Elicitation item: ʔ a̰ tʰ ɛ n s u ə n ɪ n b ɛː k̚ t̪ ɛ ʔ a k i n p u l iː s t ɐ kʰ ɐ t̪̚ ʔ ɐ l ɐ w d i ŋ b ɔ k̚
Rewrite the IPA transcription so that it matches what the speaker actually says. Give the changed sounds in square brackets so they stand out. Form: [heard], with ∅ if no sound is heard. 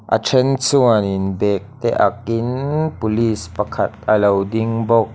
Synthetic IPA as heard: ʔ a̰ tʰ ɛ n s u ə n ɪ n b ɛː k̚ t̪ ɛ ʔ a k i n p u l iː s [p] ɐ kʰ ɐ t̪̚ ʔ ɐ l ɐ w d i ŋ b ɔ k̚